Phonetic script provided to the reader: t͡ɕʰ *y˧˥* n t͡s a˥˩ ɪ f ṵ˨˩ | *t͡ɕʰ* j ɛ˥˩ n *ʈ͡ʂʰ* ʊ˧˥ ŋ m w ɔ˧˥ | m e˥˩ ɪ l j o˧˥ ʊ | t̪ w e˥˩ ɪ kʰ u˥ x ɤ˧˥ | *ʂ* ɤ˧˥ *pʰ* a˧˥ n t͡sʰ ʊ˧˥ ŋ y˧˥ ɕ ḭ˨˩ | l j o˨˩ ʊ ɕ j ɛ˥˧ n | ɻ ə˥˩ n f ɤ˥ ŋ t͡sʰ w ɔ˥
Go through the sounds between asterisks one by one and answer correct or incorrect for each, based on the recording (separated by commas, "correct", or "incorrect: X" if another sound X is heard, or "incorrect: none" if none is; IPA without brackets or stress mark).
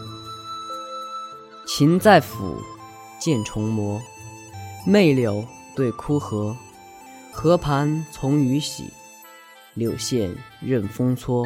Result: incorrect: i˧˥, incorrect: t͡ɕ, correct, incorrect: x, correct